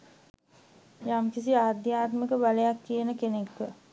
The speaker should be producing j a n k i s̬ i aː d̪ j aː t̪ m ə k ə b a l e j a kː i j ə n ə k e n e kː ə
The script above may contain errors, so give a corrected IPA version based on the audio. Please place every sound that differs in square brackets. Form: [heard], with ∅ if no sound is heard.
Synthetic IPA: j a [m] k i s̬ i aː d̪ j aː t̪ m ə k ə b a l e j a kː i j ə n ə k e n e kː ə